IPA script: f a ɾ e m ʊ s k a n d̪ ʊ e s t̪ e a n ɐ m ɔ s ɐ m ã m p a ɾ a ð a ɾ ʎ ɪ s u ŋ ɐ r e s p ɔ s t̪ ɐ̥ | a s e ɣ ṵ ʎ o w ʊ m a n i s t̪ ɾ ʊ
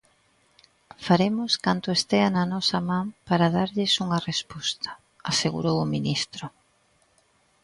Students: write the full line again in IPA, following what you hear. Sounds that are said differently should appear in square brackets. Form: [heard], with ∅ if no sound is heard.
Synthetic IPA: f a ɾ e m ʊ s k a n [t̪] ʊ e s t̪ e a n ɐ [n] ɔ s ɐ m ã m p a ɾ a ð a ɾ ʎ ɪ s u ŋ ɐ r e s p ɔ s t̪ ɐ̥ | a s e ɣ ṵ [ɾ] o w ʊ m [i] n i s t̪ ɾ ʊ